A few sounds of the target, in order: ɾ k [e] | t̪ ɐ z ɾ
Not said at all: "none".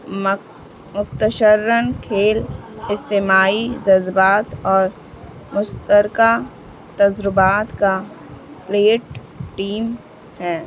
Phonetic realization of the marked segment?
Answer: a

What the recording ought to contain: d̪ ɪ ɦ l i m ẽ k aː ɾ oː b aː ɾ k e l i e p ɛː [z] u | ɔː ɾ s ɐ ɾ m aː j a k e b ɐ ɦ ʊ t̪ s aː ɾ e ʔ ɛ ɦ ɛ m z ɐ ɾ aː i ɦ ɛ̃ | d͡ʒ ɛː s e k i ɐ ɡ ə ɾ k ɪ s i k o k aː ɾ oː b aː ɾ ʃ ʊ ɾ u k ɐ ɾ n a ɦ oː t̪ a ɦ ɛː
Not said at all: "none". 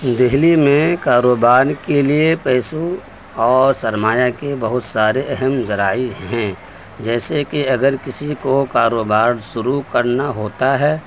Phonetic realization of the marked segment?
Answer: s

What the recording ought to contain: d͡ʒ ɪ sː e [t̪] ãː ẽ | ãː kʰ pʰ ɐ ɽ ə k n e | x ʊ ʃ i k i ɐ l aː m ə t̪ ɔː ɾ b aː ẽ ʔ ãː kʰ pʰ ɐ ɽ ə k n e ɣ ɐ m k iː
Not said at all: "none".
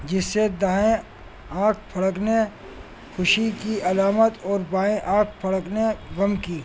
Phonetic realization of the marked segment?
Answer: d̪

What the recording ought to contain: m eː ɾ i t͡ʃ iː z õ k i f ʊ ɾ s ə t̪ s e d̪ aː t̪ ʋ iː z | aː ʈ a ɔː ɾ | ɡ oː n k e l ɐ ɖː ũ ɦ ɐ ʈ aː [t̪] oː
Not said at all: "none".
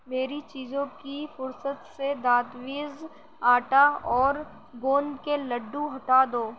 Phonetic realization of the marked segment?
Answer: d̪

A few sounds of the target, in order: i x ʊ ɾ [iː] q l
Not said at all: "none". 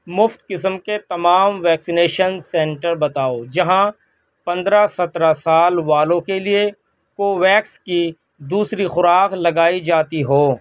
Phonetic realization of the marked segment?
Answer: aː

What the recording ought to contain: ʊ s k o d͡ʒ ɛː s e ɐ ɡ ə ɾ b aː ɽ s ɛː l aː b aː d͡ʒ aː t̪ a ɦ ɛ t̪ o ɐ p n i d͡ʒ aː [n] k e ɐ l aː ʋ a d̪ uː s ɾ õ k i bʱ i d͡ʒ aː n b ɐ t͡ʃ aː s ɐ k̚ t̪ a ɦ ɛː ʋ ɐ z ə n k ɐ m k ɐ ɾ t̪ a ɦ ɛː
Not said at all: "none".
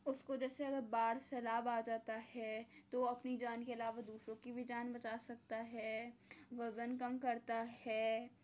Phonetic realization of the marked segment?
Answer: n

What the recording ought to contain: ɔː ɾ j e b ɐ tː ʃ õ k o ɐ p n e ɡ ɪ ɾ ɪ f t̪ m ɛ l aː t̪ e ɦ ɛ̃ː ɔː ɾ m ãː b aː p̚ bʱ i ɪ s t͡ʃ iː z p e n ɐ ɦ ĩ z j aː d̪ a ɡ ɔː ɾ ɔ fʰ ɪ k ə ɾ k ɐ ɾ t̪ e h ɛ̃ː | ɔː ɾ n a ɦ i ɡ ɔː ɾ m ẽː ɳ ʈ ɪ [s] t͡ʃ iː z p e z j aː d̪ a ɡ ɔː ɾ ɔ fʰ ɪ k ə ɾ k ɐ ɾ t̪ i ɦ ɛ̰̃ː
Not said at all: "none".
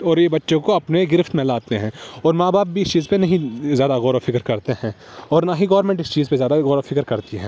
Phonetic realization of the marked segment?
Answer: s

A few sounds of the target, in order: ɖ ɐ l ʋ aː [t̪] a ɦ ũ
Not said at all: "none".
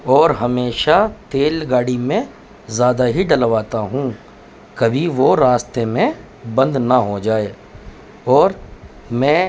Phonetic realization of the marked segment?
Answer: t̪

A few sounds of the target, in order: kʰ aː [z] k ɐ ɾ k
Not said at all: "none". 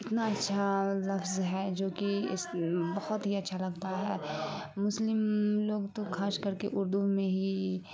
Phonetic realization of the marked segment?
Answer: s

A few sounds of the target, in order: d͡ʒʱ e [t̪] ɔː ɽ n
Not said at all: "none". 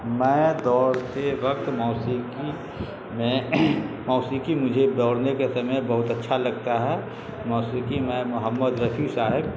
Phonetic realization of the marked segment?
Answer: d̪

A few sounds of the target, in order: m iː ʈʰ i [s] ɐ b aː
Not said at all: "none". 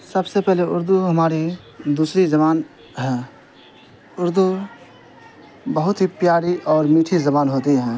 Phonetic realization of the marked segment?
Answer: z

